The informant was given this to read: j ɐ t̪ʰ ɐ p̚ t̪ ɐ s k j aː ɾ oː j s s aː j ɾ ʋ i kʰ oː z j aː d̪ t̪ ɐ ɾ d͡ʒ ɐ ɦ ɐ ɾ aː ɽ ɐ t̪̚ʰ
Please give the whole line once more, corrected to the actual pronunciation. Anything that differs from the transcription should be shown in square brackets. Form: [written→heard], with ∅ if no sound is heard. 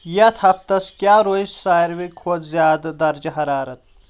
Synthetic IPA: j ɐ t̪ʰ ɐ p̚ t̪ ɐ s k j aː ɾ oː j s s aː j ɾ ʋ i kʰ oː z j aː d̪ [t̪→d̪] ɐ ɾ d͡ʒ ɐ ɦ ɐ ɾ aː [ɽ→ɾ] ɐ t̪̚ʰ